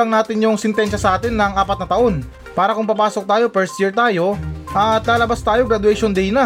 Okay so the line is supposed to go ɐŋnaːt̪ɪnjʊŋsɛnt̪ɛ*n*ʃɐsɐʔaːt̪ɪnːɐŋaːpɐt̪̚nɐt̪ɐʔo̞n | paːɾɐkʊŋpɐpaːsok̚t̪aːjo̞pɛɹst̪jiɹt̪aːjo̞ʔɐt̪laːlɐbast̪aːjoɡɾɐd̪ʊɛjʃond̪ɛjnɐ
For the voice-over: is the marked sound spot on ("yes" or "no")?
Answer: yes